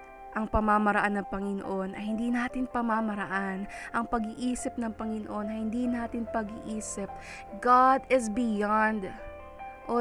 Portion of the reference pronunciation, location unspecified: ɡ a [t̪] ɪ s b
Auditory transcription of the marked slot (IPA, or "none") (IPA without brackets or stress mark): d̪